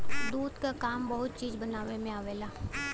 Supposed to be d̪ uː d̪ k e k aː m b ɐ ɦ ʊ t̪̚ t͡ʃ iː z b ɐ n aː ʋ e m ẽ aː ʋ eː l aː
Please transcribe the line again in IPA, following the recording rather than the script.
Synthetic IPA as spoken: d̪ uː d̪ k a k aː m b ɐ ɦ ʊ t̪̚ t͡ʃ iː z b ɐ n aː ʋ e m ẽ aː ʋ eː l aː